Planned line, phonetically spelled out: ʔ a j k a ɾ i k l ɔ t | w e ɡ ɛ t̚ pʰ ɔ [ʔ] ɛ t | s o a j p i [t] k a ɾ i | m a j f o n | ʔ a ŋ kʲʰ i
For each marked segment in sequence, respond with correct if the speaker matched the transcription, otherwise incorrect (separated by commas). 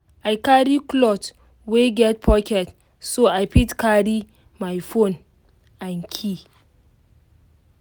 incorrect, correct